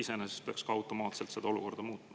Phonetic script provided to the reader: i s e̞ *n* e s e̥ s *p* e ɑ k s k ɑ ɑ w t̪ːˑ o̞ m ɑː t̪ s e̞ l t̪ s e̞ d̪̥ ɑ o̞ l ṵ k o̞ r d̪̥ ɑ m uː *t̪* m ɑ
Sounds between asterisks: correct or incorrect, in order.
correct, correct, correct

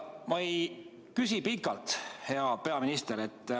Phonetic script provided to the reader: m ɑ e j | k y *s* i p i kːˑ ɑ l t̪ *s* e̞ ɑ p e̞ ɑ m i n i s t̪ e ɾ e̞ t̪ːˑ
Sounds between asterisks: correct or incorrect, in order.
correct, incorrect: h

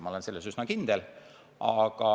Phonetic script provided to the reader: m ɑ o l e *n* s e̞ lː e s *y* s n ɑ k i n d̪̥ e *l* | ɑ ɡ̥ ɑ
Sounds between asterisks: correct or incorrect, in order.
correct, correct, correct

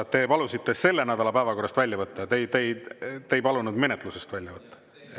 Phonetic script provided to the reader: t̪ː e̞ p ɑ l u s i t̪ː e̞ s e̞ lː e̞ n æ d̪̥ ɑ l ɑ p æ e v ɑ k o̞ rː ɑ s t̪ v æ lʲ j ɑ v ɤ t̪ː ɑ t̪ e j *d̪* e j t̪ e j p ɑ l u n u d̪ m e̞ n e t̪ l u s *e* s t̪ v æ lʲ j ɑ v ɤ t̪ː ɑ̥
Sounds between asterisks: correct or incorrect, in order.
incorrect: t̪, correct

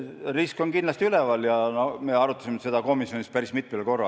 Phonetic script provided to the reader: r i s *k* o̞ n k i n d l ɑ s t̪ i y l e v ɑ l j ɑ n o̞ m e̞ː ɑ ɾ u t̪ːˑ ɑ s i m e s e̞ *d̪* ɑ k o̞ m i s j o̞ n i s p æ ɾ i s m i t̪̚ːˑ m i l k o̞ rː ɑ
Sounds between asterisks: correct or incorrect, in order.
correct, correct

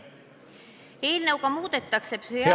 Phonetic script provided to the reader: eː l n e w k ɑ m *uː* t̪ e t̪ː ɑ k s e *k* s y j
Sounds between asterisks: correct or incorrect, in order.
correct, incorrect: p

